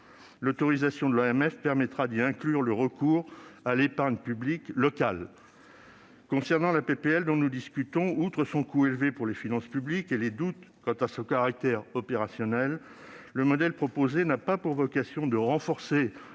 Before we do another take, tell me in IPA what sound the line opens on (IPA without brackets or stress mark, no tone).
l